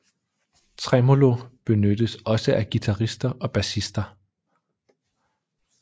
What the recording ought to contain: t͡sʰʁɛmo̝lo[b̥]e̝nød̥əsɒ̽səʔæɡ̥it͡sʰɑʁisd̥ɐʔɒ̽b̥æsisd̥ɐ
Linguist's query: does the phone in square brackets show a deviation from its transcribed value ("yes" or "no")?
no